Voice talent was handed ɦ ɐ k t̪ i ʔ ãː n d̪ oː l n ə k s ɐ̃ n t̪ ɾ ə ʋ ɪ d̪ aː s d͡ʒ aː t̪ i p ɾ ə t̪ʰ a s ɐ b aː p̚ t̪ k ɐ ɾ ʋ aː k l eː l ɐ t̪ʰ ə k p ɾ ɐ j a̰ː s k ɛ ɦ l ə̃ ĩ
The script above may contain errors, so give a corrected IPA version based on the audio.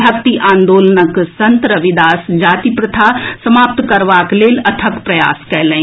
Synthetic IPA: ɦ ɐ k t̪ i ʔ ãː n d̪ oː l n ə k s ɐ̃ n t̪ ɾ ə ʋ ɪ d̪ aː s d͡ʒ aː t̪ i p ɾ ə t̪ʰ a s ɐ m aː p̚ t̪ k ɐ ɾ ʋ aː k l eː l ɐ t̪ʰ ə k p ɾ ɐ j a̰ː s k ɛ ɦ l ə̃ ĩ